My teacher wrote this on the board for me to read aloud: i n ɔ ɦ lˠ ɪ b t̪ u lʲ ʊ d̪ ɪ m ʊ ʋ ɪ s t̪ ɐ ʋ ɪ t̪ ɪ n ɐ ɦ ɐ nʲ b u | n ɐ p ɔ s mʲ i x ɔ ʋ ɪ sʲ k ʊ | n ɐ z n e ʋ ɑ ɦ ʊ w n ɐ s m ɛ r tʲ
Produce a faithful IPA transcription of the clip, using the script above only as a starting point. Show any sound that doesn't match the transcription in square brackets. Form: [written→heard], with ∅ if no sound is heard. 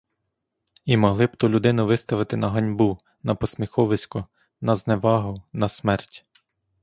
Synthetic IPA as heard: i [n→m] ɔ ɦ lˠ ɪ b t̪ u lʲ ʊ d̪ ɪ [m→n] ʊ ʋ ɪ s t̪ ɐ ʋ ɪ t̪ ɪ n ɐ ɦ ɐ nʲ b u | n ɐ p ɔ s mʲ i x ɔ ʋ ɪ sʲ k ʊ | n ɐ z n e ʋ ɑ ɦ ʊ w n ɐ s m ɛ r tʲ

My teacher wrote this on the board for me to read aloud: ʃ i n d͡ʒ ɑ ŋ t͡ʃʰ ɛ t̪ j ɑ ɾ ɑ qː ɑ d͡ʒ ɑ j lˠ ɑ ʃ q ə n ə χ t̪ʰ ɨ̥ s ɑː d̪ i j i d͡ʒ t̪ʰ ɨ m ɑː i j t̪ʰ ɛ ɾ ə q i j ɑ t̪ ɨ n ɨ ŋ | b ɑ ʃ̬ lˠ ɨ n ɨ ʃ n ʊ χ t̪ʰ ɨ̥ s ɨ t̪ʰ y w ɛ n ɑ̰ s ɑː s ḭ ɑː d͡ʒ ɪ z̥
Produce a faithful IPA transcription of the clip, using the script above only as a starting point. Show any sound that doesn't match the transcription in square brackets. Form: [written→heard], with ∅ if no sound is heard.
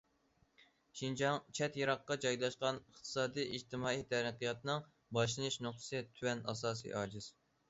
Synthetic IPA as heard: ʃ i n d͡ʒ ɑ ŋ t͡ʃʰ ɛ t̪ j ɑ ɾ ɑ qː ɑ d͡ʒ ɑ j lˠ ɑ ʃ q [ə→ɑ] n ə χ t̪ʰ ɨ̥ s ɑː d̪ i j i d͡ʒ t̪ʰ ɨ m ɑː i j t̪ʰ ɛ ɾ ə q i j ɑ t̪ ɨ n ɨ ŋ | b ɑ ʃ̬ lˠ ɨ n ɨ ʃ n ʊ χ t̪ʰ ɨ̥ s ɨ t̪ʰ y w ɛ n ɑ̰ s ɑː s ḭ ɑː d͡ʒ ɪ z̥

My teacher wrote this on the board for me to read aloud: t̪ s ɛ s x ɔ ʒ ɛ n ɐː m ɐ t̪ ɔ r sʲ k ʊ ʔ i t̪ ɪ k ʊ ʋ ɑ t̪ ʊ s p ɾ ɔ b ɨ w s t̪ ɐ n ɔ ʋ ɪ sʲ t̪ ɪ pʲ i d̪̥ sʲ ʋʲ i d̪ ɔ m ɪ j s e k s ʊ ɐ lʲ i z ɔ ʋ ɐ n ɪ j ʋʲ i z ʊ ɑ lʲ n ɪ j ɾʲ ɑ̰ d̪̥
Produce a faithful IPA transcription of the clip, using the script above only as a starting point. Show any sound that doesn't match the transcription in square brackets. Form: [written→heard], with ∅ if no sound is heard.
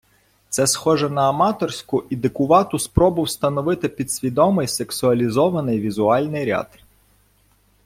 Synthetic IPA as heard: t̪ s ɛ s x ɔ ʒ ɛ n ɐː m [ɐ→ɑ] t̪ ɔ r sʲ k ʊ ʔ i [t̪→d̪] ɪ k ʊ ʋ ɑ t̪ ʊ s p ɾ ɔ b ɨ w s t̪ ɐ n ɔ ʋ ɪ [sʲ→∅] t̪ ɪ pʲ i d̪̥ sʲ ʋʲ i d̪ ɔ m ɪ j s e k s ʊ ɐ lʲ i z ɔ ʋ ɐ n ɪ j ʋʲ i z ʊ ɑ lʲ n ɪ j ɾʲ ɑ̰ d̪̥

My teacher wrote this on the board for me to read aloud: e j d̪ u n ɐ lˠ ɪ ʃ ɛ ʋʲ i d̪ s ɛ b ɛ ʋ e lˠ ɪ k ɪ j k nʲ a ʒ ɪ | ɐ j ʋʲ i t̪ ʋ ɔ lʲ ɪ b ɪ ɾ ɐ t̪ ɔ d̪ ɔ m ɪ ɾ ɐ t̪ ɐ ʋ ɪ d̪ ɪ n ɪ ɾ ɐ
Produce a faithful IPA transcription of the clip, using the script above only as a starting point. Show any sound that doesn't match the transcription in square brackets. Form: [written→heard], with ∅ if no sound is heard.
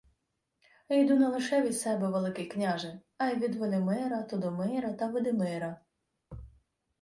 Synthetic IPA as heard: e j d̪ u n ɐ lˠ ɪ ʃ ɛ ʋʲ i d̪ s ɛ b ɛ ʋ e lˠ ɪ k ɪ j k nʲ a ʒ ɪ | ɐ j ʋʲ i [t̪→d̪] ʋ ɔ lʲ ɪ [b→m] ɪ ɾ ɐ t̪ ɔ d̪ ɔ m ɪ ɾ ɐ t̪ ɐ ʋ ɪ d̪ ɪ [n→m] ɪ ɾ ɐ

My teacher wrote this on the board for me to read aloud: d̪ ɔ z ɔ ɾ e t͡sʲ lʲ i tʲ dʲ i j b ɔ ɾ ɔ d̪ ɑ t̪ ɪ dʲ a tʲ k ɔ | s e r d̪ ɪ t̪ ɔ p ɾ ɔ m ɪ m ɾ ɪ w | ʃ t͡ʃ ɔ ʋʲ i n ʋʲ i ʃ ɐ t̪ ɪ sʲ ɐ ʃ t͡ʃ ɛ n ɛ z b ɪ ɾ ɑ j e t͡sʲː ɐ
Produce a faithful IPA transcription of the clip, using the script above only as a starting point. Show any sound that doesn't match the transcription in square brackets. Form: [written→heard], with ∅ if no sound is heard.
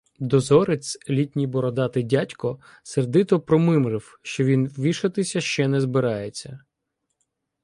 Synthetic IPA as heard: d̪ ɔ z ɔ ɾ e t͡sʲ lʲ i tʲ [dʲ→nʲ] i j b ɔ ɾ ɔ d̪ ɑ t̪ ɪ dʲ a tʲ k ɔ | s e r d̪ ɪ t̪ ɔ p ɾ ɔ m ɪ m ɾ ɪ w | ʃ t͡ʃ ɔ ʋʲ i n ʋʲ i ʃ ɐ t̪ ɪ sʲ ɐ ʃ t͡ʃ ɛ n ɛ z b ɪ ɾ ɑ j e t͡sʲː ɐ

